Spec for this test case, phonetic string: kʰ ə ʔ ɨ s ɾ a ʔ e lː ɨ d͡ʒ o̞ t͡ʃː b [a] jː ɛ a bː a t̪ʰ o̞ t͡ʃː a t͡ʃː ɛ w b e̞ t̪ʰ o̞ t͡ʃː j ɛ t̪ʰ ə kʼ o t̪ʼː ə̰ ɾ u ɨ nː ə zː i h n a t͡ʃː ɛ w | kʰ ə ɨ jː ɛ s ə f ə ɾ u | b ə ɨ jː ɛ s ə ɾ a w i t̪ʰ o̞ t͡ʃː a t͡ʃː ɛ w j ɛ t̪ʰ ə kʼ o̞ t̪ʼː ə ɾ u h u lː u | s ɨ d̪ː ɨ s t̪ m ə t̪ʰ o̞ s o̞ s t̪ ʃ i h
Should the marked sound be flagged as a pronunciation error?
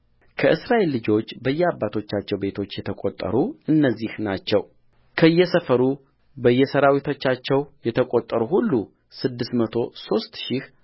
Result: yes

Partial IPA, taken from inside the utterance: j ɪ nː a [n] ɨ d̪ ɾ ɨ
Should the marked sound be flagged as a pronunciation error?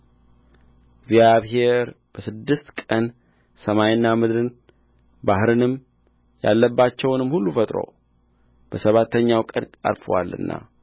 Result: yes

